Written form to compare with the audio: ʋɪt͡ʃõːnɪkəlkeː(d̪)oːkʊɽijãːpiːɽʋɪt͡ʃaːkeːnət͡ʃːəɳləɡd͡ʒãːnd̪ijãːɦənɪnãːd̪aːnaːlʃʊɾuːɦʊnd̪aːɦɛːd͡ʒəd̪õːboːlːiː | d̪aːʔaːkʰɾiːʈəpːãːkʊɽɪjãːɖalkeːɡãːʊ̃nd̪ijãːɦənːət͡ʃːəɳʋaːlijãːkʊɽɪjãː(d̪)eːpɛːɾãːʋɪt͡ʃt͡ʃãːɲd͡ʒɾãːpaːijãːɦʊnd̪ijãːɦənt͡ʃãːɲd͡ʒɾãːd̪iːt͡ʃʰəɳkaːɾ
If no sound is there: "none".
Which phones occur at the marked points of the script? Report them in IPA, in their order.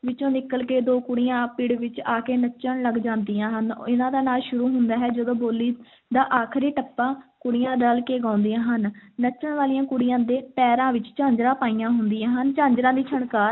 d̪, d̪

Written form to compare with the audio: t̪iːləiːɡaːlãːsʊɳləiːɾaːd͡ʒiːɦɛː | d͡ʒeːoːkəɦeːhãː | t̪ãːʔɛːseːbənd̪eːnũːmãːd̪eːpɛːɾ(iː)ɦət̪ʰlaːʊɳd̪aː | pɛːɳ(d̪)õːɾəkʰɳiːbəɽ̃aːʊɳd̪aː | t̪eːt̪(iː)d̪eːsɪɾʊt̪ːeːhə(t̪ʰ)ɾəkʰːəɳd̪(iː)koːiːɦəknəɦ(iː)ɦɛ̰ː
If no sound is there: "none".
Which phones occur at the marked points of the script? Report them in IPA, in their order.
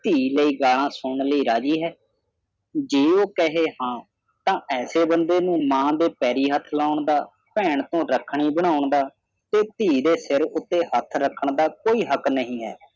iː, t̪, iː, t̪ʰ, aː, ĩː

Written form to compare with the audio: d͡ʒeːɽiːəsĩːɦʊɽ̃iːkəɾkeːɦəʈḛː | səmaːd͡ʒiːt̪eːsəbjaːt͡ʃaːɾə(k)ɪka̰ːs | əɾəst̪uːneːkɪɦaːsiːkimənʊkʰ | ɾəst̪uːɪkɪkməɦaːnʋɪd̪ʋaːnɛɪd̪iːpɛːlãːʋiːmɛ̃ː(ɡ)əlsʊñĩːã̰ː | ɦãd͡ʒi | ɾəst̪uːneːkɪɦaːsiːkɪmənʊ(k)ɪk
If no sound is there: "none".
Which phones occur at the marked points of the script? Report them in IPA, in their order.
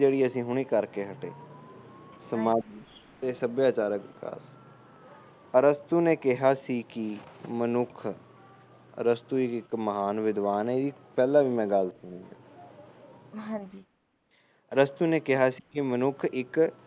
k, ɡ, kʰ

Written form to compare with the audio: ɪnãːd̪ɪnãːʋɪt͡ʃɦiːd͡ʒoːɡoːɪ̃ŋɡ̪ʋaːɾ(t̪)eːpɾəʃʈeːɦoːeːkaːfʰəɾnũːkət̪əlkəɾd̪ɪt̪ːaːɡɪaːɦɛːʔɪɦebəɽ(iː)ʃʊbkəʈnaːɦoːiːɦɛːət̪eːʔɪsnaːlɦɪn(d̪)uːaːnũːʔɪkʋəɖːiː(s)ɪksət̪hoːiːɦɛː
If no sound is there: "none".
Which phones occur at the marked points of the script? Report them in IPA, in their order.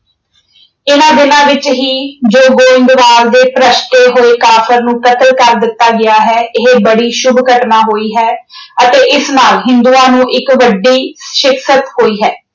d̪, iː, d̪, ʃ

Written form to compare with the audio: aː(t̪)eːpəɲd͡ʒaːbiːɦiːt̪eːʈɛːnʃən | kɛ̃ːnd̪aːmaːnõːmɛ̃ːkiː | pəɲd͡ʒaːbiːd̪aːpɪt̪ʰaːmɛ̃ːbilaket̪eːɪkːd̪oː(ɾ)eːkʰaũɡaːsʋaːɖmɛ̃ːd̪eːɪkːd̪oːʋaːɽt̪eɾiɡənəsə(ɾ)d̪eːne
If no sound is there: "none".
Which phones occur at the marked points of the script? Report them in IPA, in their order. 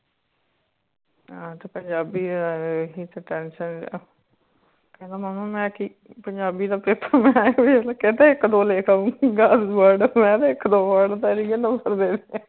t̪, l, ɾ

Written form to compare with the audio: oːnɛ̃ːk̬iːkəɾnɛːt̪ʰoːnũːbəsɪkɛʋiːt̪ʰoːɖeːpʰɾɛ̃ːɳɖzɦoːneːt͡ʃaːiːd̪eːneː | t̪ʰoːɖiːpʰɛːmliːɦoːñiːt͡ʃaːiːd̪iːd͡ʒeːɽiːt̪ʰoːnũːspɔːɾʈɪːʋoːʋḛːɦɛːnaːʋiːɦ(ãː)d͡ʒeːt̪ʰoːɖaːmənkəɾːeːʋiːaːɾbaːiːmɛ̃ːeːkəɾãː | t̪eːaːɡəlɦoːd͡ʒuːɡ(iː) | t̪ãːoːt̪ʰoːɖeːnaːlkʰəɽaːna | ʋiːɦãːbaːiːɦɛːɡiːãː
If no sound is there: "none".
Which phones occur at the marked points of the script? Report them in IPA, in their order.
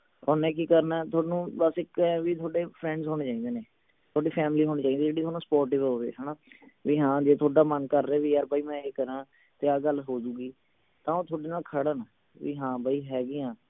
ãː, iː

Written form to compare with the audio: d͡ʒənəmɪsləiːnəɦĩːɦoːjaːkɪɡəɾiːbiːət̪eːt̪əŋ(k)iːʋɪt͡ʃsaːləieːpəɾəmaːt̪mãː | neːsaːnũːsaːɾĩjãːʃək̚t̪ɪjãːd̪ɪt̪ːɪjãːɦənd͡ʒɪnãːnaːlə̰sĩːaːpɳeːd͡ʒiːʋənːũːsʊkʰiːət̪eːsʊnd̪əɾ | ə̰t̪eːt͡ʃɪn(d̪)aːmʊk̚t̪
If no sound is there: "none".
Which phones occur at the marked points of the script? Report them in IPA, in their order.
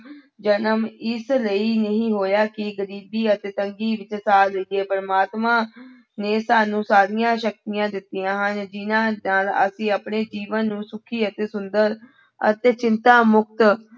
ɡ, t̪

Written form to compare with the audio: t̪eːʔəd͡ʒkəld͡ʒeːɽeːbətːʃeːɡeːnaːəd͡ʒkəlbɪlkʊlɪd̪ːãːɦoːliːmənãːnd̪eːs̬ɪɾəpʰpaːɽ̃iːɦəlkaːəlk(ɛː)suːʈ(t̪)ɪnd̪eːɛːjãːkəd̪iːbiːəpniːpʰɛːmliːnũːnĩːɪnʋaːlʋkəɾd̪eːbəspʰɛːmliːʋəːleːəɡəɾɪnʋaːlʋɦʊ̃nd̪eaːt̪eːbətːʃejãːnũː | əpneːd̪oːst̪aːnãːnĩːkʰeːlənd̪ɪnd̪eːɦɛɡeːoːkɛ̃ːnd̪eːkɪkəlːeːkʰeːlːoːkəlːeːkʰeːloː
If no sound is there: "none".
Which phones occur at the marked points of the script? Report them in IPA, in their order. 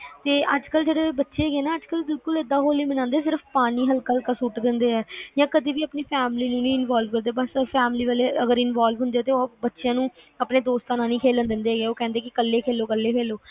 aː, d̪

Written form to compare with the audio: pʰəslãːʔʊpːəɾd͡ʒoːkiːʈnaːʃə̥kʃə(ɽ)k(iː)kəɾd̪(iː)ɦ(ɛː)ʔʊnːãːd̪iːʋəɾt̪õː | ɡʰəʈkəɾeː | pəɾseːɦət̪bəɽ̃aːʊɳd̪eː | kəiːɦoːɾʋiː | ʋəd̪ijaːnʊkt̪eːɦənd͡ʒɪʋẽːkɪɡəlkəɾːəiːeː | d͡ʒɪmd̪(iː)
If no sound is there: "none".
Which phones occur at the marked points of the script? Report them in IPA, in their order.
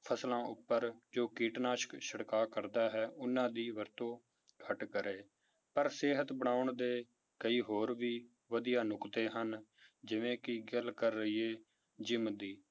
ɽ, aː, aː, ɛː, iː

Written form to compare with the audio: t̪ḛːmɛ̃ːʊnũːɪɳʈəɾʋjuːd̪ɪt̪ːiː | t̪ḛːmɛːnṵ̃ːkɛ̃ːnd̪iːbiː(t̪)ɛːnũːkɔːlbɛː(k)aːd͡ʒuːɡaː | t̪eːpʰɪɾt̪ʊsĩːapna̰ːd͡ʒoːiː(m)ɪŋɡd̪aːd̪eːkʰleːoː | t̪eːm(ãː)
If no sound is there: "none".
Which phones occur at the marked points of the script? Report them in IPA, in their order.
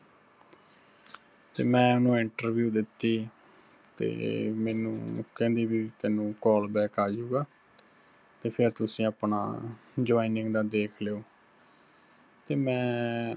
t̪, k, n, ɛ̃ː

